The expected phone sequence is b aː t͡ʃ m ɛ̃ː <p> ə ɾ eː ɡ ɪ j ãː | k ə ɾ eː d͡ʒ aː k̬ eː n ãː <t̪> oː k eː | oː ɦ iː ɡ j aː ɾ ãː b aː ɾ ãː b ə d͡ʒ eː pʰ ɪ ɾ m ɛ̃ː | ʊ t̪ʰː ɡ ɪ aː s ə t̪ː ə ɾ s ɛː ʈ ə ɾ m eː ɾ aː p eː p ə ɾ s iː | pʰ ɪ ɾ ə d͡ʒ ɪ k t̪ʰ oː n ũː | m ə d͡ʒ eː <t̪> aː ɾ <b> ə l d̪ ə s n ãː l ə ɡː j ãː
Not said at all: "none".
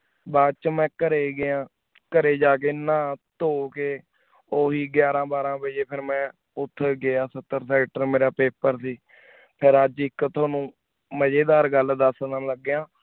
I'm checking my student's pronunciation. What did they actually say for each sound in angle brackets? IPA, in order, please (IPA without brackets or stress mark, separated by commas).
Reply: k, t̪, d̪, ɡ